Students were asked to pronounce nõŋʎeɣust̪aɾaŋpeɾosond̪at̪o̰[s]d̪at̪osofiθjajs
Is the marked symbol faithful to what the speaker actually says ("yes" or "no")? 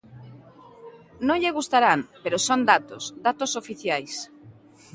yes